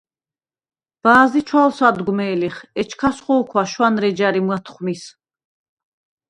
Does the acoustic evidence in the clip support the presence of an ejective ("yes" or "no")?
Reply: no